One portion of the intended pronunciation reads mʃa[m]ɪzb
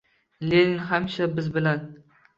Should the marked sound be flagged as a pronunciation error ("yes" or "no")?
yes